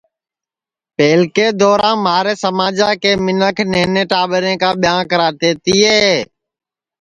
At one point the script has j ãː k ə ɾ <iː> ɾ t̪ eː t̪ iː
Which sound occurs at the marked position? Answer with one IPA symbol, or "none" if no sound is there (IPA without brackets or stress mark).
aː